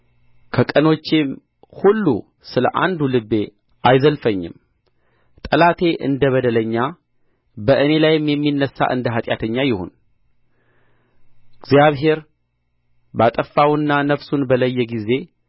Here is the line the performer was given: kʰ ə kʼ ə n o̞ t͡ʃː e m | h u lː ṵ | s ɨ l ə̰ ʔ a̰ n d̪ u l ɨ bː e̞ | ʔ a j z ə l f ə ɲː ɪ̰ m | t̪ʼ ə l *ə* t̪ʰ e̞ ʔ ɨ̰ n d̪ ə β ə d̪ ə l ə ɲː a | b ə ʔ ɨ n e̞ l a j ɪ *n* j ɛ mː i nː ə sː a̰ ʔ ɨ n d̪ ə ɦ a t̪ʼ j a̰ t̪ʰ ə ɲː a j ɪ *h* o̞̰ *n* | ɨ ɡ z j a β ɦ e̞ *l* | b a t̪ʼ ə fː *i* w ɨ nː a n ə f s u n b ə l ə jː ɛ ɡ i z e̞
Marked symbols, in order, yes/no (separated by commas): no, no, yes, yes, no, no